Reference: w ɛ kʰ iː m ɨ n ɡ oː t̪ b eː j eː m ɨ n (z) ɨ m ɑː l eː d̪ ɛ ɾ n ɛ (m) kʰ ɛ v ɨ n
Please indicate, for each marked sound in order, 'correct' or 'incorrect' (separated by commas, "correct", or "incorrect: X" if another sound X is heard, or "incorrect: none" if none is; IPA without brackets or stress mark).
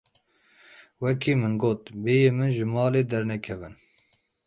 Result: incorrect: ʒ, incorrect: none